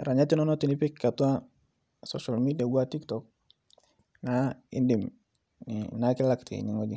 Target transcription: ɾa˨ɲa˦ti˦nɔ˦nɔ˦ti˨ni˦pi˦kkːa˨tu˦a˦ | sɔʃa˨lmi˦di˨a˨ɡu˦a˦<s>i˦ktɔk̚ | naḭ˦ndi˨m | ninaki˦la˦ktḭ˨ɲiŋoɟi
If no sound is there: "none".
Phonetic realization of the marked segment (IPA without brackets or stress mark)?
t